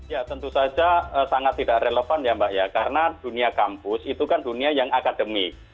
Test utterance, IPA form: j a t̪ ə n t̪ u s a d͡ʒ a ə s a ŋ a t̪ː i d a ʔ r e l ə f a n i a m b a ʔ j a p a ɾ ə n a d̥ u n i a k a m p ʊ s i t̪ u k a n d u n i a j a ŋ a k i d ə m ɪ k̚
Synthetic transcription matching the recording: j a t̪ ə n t̪ u s a d͡ʒ a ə s a ŋ a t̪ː i d a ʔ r e l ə f a n j a m b a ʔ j a k a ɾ ə n a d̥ u n i a k a m p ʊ s i t̪ u k a n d u n i a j a ŋ a k a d ə m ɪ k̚